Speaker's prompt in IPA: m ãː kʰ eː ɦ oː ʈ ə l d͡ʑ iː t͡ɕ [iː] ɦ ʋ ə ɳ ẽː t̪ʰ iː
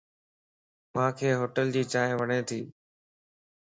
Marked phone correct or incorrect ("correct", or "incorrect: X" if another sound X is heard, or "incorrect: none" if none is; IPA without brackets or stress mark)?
incorrect: aː